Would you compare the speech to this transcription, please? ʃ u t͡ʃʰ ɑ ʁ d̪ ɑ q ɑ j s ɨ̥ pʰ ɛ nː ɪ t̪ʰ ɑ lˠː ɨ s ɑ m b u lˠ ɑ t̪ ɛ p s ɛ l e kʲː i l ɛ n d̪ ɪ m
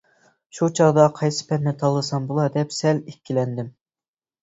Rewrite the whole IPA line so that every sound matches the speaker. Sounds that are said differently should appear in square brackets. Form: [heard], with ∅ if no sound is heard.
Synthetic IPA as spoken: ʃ u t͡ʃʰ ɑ ʁ d̪ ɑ [qʰ] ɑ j s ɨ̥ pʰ ɛ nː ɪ t̪ʰ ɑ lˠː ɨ s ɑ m b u lˠ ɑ [d̪] ɛ p s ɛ l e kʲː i l ɛ n d̪ ɪ m